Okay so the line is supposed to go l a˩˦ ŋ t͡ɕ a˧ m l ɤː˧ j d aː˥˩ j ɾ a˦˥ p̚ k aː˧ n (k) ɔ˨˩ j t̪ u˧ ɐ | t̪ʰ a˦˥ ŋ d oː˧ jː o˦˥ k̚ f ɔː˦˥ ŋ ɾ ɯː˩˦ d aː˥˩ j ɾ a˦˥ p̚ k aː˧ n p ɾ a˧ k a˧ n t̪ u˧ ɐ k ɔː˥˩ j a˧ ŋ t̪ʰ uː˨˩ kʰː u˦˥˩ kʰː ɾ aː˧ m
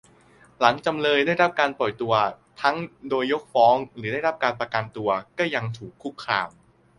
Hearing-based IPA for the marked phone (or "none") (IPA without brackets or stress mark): p